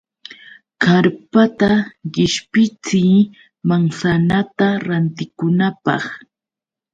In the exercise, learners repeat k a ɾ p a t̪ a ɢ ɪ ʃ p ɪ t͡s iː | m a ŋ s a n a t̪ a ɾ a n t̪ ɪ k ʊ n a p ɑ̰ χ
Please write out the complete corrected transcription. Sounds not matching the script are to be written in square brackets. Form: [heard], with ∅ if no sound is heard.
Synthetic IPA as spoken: k a ɾ p a t̪ a ɢ ɪ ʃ p ɪ t͡s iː | m a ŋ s a n a t̪ a ɾ a n t̪ ɪ k ʊ n a p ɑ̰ χ